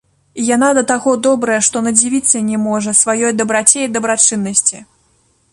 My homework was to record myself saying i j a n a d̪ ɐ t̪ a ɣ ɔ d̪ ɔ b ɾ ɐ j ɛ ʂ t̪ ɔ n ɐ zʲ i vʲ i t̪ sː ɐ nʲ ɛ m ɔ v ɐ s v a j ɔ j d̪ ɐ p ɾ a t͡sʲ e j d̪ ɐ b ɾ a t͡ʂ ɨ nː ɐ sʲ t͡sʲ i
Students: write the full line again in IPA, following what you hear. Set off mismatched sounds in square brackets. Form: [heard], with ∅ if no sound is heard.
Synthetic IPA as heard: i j a n a d̪ ɐ t̪ a ɣ ɔ d̪ ɔ b ɾ ɐ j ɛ ʂ t̪ ɔ n ɐ [d͡zʲ] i vʲ i t̪ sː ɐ nʲ ɛ m ɔ [ʐ] ɐ s v a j ɔ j d̪ ɐ [b] ɾ a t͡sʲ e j d̪ ɐ b ɾ a t͡ʂ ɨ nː ɐ sʲ t͡sʲ i